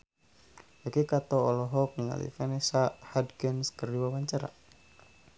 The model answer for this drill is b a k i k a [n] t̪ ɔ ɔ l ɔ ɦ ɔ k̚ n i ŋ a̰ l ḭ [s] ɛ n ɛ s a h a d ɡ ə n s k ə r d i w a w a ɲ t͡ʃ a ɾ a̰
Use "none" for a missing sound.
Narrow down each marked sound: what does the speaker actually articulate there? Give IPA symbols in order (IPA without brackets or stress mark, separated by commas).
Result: none, f